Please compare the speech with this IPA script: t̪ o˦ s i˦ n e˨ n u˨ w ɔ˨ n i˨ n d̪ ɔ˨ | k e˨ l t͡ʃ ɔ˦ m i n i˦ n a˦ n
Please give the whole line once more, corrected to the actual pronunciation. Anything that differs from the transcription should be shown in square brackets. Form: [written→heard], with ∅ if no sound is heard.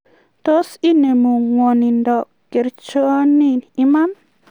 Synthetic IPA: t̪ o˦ s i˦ n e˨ [n→m] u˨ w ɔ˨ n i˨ n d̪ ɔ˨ | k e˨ [l→ɾ] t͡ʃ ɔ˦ [m→n] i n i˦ [n→m] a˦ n